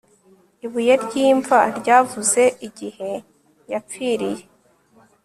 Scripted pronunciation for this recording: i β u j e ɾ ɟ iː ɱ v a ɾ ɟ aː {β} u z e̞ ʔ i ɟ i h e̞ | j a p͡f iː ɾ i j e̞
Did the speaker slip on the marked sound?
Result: yes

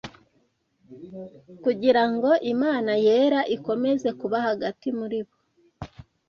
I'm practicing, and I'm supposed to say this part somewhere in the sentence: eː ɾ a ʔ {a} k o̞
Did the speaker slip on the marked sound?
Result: yes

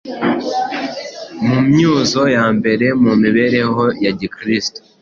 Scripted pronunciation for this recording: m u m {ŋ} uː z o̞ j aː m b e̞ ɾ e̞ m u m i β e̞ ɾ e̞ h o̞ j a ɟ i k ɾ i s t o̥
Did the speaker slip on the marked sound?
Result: yes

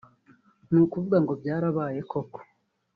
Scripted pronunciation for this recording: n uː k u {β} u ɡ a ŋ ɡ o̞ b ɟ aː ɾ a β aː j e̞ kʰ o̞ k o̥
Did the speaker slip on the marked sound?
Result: yes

